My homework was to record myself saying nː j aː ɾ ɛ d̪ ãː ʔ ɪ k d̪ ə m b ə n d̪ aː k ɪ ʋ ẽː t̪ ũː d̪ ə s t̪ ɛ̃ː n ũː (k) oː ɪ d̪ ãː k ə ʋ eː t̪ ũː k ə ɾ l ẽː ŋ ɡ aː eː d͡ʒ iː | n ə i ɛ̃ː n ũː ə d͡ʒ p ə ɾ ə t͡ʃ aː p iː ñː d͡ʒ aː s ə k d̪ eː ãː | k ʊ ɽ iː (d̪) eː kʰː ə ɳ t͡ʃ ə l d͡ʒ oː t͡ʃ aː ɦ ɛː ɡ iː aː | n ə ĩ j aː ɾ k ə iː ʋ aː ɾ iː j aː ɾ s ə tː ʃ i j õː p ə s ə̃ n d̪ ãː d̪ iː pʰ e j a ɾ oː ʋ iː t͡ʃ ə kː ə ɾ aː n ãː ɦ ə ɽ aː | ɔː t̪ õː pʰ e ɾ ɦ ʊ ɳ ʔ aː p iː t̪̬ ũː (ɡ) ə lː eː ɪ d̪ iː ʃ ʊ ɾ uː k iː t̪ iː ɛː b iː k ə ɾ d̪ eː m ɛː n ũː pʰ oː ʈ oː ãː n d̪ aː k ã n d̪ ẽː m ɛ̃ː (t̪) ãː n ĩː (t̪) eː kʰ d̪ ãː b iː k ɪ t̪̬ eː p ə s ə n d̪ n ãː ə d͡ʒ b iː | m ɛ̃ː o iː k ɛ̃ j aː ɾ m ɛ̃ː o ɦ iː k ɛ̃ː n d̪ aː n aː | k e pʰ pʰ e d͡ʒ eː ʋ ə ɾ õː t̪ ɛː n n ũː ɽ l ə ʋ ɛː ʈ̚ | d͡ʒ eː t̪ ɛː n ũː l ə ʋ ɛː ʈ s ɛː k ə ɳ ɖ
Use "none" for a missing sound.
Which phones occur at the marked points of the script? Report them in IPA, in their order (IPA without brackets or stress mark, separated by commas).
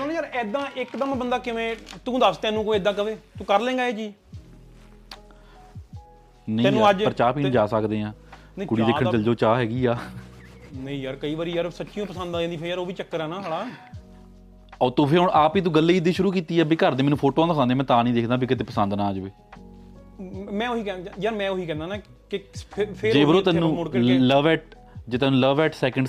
k, d̪, ɡ, t̪, d̪